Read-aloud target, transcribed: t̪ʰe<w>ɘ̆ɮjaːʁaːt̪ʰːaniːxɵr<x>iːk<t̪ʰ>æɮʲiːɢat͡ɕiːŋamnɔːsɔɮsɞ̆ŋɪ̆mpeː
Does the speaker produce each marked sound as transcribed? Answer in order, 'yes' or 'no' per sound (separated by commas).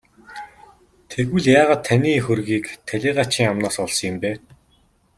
no, no, yes